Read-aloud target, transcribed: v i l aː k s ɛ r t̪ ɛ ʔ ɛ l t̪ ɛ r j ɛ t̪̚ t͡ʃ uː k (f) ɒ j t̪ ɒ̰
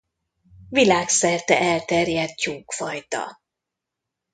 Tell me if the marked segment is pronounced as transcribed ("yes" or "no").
yes